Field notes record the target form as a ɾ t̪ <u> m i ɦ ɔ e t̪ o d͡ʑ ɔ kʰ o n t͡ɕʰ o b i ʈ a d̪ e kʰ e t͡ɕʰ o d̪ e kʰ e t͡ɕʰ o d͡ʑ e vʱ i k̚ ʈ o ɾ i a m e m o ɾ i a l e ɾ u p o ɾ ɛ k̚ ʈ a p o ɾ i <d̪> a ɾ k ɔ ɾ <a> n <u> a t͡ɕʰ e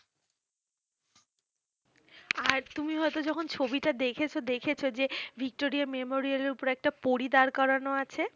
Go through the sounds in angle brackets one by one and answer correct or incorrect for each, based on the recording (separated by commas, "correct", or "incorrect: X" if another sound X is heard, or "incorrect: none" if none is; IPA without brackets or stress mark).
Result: correct, correct, correct, incorrect: o